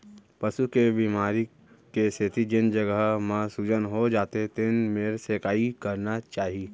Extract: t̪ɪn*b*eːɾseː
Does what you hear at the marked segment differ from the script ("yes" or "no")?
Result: yes